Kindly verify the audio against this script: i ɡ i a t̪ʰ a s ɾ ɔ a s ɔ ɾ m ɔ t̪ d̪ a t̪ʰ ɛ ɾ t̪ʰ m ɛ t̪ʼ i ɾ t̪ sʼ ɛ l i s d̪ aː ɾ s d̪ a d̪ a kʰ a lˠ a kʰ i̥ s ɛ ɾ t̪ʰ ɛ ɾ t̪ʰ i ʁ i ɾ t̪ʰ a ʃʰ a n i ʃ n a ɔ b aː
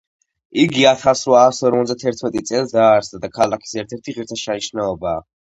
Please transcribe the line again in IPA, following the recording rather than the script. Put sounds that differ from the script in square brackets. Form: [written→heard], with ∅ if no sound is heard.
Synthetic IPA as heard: i ɡ i a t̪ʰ a s ɾ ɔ a s ɔ ɾ m ɔ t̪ d̪ a t̪ʰ ɛ ɾ t̪ʰ m ɛ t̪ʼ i [ɾ→∅] t̪ sʼ ɛ l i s d̪ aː ɾ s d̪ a d̪ a kʰ a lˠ a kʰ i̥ s ɛ ɾ t̪ʰ ɛ ɾ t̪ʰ i ʁ i ɾ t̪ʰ a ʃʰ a n i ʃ n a ɔ b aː

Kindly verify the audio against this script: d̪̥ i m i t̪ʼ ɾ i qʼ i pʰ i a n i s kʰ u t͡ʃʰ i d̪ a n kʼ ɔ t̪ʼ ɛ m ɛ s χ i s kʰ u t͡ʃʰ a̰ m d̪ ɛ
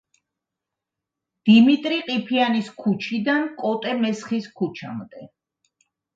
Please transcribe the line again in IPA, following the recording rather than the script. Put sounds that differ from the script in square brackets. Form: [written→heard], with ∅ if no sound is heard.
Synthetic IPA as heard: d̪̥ i m i t̪ʼ ɾ i qʼ i pʰ i a n i s kʰ u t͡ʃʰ i d̪ a n kʼ ɔ t̪ʼ ɛ m ɛ s χ i s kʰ u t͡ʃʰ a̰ m d̪ ɛ

